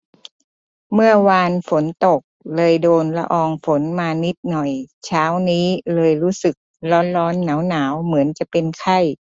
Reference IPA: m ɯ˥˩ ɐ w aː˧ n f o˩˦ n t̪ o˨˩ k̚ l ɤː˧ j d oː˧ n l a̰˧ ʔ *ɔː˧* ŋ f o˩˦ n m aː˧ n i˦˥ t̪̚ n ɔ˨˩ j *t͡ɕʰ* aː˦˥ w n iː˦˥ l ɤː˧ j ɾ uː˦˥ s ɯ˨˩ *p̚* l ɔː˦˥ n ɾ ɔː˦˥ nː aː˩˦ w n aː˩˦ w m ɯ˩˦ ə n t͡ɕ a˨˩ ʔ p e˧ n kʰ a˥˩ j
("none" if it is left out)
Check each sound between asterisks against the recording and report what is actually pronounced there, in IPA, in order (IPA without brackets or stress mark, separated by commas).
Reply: ɔː˧, t͡ɕʰ, k̚